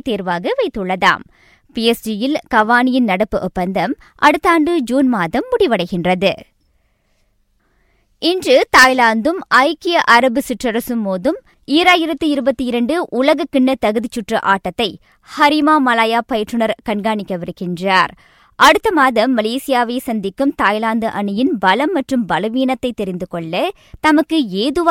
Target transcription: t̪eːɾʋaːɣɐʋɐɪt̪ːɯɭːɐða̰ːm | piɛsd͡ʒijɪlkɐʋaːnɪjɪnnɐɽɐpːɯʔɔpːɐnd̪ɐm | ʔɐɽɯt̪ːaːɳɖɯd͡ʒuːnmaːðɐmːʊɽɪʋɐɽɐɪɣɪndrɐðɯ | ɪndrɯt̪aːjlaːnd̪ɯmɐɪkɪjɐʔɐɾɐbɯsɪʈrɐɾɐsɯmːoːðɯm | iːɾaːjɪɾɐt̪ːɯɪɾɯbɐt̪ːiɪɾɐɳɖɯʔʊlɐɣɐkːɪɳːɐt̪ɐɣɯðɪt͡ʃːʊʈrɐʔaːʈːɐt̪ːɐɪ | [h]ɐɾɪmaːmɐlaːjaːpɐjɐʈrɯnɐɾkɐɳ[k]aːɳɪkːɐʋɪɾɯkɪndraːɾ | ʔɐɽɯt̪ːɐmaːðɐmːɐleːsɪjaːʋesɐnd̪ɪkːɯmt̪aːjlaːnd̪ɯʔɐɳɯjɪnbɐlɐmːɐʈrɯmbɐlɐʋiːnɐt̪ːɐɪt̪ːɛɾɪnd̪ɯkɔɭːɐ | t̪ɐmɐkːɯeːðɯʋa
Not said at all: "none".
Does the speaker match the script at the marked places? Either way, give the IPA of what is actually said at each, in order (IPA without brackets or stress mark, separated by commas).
h, ɡ